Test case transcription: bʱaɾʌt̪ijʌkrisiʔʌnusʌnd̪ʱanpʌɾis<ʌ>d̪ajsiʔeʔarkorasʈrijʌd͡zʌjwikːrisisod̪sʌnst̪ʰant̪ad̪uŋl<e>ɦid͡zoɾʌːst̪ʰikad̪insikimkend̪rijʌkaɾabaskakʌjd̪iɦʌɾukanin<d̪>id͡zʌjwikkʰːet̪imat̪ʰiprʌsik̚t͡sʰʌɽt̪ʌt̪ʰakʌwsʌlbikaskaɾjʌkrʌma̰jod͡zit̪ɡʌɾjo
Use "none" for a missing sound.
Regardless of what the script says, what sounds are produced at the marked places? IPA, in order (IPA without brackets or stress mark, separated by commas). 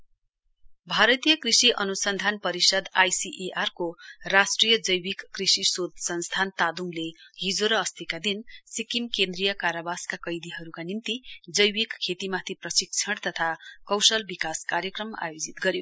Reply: ʌ, e, t̪